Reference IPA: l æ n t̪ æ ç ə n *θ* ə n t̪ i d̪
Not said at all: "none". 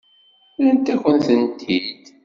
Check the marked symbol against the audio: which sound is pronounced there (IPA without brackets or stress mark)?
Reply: θ